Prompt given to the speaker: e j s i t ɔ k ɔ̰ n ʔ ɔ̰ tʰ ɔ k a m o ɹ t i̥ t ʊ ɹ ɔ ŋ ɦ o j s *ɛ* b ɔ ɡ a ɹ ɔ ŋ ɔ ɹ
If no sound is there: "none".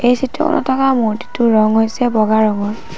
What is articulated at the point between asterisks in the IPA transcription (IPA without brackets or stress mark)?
ɛ